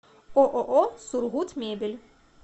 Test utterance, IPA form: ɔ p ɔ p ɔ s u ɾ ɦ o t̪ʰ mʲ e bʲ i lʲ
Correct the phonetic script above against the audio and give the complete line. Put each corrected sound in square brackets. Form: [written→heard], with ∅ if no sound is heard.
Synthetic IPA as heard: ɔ [p→ʔ] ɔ [p→ʔ] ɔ s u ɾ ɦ [o→u] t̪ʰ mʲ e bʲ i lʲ

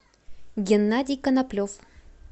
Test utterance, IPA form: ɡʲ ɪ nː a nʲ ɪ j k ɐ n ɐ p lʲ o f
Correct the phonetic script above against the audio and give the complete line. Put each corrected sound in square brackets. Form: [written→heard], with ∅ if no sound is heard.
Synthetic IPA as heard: ɡʲ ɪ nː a [nʲ→dʲ] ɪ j k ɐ n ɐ p lʲ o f

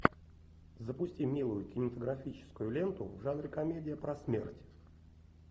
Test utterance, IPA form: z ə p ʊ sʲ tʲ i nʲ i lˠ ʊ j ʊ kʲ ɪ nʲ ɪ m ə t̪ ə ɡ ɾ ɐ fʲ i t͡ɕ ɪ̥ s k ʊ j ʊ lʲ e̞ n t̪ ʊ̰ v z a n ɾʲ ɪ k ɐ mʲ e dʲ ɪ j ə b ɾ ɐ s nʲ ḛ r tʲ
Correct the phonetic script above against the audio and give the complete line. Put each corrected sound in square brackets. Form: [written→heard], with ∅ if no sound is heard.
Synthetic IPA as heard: z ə p ʊ sʲ tʲ i [nʲ→mʲ] i lˠ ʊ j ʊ kʲ ɪ nʲ ɪ m ə t̪ ə ɡ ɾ ɐ fʲ i t͡ɕ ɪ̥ s k ʊ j ʊ lʲ e̞ n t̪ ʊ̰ v [z→ʐ] a n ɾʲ ɪ k ɐ mʲ e dʲ ɪ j ə [b→p] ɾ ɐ s [nʲ→mʲ] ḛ r tʲ

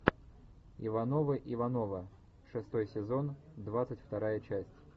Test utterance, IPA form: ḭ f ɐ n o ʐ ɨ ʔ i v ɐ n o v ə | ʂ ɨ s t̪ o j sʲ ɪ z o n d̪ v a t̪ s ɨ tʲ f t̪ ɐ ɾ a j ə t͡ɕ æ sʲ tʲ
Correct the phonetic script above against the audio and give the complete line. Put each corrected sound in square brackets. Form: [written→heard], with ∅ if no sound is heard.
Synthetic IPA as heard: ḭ [f→v] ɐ n o [ʐ→v] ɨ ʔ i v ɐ n o v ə | ʂ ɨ s t̪ o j sʲ ɪ z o n d̪ v a t̪ s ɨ tʲ f t̪ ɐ ɾ a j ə t͡ɕ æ sʲ tʲ

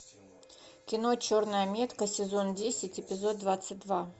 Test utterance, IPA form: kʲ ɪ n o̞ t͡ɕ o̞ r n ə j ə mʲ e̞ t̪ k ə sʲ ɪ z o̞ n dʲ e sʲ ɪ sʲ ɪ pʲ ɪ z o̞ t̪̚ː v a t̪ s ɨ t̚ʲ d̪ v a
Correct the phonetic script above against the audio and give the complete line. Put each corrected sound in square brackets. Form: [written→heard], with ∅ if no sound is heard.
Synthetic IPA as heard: kʲ ɪ n o̞ t͡ɕ o̞ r n ə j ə mʲ e̞ t̪ k ə sʲ ɪ z o̞ n dʲ e sʲ ɪ [sʲ→tʲ] ɪ pʲ ɪ z o̞ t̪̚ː v a t̪ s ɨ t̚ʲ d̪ v a

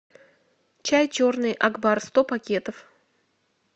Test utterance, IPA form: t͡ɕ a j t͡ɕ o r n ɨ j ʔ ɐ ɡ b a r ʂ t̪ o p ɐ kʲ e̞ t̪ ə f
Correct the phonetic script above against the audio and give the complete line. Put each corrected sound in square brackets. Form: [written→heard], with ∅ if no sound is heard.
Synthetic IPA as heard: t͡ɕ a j t͡ɕ o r n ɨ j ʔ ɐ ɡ b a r [ʂ→s] t̪ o p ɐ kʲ e̞ t̪ ə f

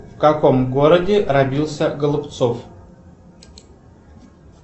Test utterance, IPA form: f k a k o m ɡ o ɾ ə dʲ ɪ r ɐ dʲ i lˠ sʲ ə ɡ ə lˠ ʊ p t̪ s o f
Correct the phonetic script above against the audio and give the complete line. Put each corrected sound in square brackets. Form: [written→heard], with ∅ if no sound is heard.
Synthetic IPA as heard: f k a k o m ɡ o ɾ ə dʲ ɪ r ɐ [dʲ→bʲ] i lˠ sʲ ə ɡ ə lˠ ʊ p t̪ s o f

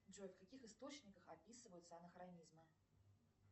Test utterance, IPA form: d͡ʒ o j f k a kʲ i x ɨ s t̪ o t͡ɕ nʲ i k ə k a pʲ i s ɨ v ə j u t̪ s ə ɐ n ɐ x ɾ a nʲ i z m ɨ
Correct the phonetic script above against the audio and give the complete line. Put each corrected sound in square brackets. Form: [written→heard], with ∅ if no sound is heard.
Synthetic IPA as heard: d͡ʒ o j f k a kʲ i x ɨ s t̪ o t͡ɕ nʲ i k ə [k→x] a pʲ i s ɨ v ə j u t̪ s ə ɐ n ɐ x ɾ a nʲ i z m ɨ

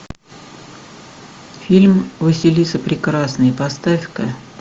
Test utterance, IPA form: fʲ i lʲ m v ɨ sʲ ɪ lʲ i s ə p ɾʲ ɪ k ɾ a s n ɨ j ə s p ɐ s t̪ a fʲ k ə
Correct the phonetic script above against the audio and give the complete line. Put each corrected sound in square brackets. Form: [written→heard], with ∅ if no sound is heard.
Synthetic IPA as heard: fʲ i lʲ m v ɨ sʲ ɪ lʲ i s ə p ɾʲ ɪ k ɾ a s n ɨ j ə [s→∅] p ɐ s t̪ a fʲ k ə

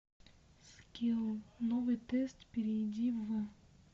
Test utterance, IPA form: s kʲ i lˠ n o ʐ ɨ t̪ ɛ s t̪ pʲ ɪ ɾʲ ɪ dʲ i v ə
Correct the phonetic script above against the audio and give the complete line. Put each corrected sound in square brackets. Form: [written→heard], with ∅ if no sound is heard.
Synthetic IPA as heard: s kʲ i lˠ n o [ʐ→v] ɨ t̪ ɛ s t̪ pʲ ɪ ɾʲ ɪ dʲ i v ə

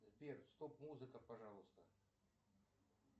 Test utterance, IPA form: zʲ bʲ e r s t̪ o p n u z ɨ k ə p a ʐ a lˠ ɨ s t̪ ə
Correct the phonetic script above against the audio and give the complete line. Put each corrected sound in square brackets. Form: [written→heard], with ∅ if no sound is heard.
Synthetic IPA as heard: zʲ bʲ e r s t̪ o p [n→m] u z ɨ k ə p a ʐ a lˠ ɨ s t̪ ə

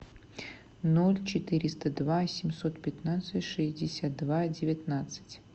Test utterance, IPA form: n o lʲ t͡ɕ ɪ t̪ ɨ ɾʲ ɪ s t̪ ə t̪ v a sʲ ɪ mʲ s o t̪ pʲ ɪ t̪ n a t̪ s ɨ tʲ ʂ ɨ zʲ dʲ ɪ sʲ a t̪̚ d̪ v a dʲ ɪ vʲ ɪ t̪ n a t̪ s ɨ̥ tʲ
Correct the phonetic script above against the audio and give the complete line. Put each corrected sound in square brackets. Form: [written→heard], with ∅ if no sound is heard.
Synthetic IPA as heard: n o lʲ t͡ɕ ɪ t̪ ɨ ɾʲ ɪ s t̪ ə [t̪→d̪] v a sʲ ɪ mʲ s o t̪ pʲ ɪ t̪ n a t̪ s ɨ tʲ ʂ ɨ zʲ dʲ ɪ sʲ a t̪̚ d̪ v a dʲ ɪ vʲ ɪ t̪ n a t̪ s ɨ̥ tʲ

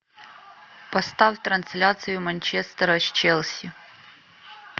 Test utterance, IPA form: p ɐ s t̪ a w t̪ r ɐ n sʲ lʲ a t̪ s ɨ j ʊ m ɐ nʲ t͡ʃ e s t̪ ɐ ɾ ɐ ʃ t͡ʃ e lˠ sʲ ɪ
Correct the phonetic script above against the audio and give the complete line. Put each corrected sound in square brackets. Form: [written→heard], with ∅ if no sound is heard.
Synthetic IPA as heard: p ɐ s t̪ a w t̪ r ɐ n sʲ lʲ a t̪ s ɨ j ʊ m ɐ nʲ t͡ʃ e s t̪ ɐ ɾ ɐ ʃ t͡ʃ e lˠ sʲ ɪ

